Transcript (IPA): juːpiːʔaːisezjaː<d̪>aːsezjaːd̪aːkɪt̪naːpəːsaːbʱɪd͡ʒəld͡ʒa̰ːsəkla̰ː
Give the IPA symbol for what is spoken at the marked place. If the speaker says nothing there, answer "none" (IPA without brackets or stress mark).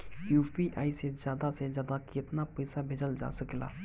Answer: d̪